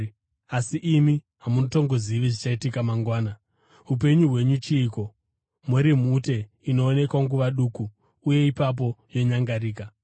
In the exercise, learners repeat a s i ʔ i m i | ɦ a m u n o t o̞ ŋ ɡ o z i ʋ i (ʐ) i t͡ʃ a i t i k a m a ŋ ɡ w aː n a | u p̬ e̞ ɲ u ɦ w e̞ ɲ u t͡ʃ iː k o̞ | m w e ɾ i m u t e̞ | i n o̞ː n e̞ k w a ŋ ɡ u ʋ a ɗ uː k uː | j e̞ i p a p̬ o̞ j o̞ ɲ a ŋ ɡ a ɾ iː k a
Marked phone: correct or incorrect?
correct